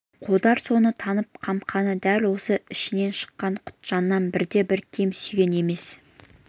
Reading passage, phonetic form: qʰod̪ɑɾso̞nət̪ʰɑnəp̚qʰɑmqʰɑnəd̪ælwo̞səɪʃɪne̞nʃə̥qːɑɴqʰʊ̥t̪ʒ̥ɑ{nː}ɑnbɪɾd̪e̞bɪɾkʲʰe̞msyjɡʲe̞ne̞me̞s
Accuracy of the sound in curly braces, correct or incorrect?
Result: correct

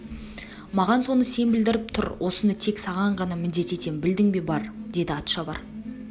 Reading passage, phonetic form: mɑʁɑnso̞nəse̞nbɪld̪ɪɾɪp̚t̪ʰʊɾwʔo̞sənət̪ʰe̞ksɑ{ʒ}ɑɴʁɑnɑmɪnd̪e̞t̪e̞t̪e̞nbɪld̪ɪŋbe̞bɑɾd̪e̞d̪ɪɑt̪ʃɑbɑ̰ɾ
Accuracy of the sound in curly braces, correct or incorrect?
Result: incorrect: ʁ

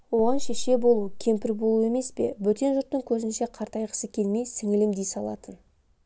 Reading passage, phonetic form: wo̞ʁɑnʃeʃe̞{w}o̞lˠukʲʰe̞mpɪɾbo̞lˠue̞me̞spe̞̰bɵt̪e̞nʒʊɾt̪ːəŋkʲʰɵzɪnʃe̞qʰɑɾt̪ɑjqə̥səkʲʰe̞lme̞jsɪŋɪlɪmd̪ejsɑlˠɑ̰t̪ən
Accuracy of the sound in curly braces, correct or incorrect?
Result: incorrect: b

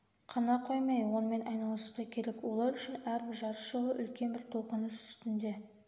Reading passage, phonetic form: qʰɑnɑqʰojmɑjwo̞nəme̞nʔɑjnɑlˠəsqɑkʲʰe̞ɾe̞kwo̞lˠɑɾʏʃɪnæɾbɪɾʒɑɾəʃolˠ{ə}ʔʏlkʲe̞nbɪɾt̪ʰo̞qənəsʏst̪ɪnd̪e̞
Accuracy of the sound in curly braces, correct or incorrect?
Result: correct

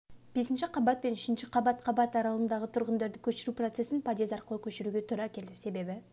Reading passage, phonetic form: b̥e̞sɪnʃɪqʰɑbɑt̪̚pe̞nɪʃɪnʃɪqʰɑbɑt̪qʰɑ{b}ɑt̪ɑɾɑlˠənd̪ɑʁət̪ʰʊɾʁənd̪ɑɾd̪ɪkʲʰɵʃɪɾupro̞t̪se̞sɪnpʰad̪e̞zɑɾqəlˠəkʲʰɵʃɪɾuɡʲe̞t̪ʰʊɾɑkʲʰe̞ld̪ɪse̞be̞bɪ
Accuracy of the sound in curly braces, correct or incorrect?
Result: correct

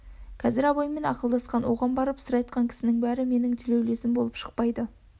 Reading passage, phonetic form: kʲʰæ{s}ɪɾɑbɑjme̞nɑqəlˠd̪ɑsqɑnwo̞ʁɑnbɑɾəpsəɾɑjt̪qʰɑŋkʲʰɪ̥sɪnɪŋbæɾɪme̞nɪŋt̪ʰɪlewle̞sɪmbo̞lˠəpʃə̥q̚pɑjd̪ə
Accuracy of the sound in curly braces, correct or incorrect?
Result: incorrect: z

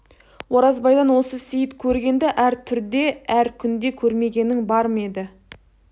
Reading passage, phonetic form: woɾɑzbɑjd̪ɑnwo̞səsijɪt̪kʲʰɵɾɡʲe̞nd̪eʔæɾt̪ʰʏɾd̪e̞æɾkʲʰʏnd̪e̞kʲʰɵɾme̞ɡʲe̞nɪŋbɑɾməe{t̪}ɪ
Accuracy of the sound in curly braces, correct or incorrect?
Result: incorrect: d̪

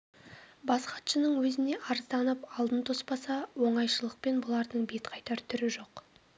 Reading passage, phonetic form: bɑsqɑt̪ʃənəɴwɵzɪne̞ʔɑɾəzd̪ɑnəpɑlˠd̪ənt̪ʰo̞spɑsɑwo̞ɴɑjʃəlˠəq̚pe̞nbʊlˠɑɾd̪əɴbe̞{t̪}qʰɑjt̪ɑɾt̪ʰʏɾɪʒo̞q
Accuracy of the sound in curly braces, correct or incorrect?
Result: correct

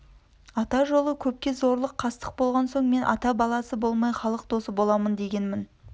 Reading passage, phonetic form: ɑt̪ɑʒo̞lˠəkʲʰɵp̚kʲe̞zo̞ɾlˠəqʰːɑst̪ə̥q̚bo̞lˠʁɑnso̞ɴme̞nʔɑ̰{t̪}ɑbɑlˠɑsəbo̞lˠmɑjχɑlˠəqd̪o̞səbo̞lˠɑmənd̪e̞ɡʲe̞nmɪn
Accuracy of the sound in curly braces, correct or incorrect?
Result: correct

